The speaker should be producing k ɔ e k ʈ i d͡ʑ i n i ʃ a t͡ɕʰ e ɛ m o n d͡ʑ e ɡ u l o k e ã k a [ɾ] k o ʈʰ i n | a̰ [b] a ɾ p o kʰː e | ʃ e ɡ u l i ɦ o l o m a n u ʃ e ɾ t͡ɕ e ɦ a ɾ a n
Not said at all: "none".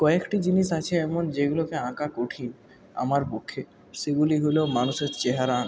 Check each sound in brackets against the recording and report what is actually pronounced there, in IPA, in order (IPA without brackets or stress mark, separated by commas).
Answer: none, m